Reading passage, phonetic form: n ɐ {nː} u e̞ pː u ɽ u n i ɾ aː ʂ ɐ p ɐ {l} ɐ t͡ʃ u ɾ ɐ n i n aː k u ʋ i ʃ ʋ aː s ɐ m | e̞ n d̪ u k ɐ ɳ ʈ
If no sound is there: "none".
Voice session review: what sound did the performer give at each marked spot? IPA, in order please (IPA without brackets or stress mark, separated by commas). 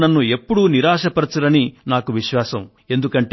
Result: nː, ɾ